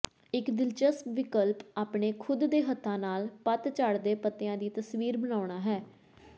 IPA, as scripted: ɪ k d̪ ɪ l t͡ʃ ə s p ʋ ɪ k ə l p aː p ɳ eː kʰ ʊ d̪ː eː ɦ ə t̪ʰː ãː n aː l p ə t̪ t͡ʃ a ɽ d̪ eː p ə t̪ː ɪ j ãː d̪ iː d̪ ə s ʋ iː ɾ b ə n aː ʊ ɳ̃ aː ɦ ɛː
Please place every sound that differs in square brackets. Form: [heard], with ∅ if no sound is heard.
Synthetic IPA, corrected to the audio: ɪ k d̪ ɪ l t͡ʃ ə s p ʋ ɪ k ə l p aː p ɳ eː kʰ ʊ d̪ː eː ɦ ə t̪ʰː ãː n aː l p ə t̪ t͡ʃ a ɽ d̪ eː p ə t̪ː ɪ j ãː d̪ iː [t̪] ə s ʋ iː ɾ b ə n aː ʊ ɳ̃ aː ɦ ɛː